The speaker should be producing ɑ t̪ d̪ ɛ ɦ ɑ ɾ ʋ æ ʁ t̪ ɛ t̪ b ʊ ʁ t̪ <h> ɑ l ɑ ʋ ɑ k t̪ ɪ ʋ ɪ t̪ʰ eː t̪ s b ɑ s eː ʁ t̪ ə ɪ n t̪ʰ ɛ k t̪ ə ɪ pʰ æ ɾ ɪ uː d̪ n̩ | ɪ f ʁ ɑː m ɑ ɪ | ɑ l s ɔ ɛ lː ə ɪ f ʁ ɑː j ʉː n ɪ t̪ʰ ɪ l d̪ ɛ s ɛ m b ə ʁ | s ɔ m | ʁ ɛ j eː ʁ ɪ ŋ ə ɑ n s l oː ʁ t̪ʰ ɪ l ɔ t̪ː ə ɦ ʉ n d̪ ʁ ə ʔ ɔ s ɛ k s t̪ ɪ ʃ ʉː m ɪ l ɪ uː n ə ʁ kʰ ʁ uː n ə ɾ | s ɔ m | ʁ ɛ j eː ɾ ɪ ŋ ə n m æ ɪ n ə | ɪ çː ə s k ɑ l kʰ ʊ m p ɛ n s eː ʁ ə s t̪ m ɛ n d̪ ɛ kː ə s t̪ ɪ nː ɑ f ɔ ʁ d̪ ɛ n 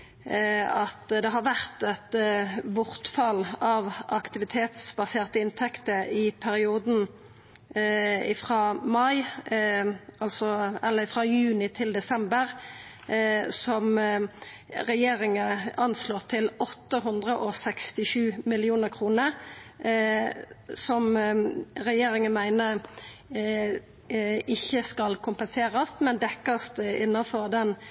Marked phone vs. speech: incorrect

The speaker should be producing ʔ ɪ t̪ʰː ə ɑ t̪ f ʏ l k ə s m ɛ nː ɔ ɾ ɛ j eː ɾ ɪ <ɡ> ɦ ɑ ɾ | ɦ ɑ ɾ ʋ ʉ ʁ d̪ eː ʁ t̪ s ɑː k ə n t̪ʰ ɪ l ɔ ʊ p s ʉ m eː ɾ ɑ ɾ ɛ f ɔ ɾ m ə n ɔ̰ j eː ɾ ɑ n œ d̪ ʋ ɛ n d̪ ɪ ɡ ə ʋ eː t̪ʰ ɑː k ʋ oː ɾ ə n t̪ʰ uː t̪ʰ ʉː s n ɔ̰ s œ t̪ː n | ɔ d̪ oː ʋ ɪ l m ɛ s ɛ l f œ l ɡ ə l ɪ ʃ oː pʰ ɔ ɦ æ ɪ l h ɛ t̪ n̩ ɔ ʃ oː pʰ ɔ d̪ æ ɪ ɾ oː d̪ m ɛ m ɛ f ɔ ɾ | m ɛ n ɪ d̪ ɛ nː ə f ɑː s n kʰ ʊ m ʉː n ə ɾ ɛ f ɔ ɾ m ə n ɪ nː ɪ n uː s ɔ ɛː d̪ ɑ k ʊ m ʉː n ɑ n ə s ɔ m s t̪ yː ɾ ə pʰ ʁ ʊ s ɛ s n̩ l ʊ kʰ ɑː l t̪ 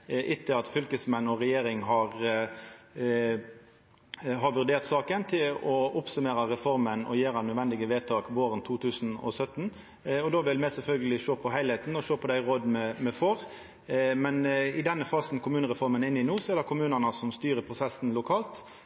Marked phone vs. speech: incorrect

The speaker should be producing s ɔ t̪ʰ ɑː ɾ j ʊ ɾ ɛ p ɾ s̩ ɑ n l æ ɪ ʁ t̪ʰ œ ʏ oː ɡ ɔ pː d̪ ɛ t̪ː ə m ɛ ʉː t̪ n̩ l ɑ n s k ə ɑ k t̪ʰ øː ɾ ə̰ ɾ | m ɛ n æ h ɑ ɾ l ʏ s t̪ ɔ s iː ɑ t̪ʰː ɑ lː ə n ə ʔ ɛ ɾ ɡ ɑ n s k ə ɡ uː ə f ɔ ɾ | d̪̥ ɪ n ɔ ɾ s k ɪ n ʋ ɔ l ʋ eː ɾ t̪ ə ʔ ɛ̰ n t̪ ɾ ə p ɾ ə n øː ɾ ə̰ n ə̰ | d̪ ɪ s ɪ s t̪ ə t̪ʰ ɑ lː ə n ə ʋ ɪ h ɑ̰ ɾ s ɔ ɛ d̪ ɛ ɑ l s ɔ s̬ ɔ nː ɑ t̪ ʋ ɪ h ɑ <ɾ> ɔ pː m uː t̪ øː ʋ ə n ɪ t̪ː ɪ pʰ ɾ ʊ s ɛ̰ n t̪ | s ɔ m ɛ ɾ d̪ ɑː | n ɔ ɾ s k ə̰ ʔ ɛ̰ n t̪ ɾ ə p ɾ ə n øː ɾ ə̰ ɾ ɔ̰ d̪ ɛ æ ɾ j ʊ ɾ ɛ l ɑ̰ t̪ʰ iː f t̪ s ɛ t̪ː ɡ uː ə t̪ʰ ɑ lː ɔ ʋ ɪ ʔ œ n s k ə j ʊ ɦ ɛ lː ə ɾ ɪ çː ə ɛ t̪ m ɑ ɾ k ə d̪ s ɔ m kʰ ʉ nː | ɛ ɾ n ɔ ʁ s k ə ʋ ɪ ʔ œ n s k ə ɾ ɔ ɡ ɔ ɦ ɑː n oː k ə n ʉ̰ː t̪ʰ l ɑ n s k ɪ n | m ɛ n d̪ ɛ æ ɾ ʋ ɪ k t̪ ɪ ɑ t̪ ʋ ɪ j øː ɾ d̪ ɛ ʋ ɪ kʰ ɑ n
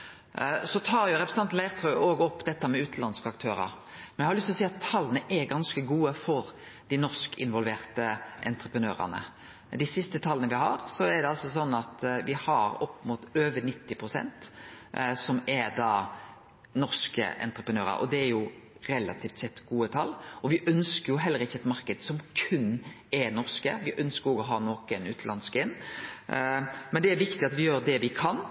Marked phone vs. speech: correct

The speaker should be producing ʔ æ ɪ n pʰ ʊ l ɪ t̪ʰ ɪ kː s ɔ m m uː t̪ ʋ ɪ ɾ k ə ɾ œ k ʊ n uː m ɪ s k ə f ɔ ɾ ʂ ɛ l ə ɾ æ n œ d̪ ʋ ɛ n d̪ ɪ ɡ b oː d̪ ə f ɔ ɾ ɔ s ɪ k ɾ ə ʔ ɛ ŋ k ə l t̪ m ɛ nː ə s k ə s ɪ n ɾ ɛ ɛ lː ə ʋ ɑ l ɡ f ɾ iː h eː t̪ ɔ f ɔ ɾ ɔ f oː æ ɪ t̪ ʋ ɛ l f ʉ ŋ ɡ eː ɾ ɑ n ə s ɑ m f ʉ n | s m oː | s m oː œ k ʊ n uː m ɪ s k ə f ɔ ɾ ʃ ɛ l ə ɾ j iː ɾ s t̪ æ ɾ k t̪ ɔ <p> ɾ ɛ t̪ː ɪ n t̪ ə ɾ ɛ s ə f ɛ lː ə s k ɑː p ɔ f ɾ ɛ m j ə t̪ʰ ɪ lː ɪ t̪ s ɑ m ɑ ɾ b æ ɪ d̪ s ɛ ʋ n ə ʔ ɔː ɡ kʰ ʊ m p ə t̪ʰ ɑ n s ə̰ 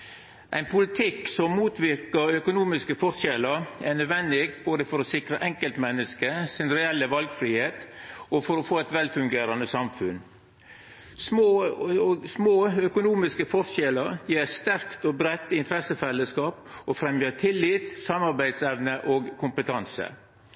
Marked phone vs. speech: incorrect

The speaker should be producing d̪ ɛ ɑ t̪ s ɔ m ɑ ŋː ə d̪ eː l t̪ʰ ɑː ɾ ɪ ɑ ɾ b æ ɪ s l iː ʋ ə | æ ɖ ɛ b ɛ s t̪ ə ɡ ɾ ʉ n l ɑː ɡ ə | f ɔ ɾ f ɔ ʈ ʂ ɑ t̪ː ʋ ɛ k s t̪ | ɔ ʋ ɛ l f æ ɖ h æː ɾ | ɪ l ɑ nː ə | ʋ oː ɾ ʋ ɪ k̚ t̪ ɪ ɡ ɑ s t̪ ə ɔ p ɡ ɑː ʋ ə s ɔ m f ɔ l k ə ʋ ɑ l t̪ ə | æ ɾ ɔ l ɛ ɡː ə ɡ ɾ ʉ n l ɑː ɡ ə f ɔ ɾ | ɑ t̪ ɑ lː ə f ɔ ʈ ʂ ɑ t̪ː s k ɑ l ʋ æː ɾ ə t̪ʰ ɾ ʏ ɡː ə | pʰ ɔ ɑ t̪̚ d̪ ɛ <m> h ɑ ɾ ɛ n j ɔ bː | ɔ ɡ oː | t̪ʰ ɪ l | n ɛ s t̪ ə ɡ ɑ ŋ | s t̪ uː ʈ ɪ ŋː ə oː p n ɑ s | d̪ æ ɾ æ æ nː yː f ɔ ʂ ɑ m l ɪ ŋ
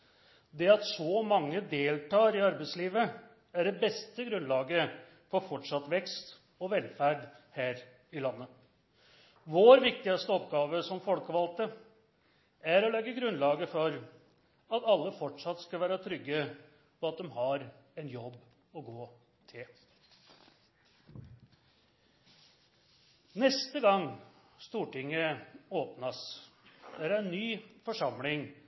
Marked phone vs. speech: correct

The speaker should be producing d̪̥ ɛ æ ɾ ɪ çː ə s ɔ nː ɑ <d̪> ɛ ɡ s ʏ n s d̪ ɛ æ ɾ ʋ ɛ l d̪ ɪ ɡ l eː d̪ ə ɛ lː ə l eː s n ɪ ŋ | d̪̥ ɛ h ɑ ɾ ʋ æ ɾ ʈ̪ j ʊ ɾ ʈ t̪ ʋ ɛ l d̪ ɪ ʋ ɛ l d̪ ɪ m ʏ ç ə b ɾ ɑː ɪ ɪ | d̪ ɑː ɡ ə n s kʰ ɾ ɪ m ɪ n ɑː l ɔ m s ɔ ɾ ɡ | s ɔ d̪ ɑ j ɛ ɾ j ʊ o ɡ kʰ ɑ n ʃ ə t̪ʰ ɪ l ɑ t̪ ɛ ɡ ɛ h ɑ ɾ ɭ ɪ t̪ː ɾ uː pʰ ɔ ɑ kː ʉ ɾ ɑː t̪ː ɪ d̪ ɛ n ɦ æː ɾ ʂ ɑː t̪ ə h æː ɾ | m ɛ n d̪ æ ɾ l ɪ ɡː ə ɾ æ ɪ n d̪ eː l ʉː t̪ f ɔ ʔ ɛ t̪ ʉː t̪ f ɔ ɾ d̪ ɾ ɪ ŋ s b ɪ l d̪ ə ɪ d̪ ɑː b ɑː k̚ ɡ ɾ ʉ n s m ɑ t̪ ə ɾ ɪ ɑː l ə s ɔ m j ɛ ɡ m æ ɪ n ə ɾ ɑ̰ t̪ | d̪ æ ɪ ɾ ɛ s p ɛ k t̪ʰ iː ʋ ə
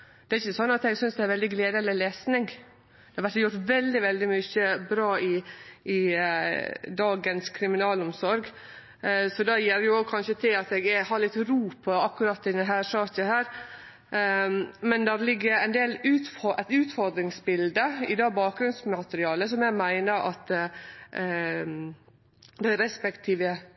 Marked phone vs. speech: incorrect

